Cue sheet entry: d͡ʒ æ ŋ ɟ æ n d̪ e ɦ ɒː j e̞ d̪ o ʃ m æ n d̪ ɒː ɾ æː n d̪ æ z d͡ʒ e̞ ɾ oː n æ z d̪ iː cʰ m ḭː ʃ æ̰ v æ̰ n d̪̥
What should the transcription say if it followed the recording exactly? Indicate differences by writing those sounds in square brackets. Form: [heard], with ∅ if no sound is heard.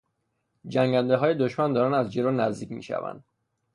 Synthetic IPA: d͡ʒ æ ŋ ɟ æ n d̪ e ɦ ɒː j e̞ d̪ o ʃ m æ n d̪ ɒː ɾ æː n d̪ æ z d͡ʒ e̞ ɾ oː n æ z d̪ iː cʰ m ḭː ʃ æ̰ v æ̰ n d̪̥